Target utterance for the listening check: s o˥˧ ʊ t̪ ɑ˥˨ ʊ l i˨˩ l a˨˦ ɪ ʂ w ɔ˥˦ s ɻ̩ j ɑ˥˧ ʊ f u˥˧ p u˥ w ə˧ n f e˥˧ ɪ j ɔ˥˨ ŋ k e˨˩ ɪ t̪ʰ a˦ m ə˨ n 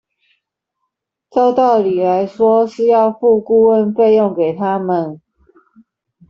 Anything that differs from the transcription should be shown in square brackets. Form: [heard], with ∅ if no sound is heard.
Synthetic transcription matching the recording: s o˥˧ ʊ t̪ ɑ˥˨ ʊ l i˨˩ l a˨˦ ɪ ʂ w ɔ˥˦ [ʂ] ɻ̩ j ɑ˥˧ ʊ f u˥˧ [k] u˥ w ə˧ n f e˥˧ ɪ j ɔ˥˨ ŋ k e˨˩ ɪ t̪ʰ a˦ m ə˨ n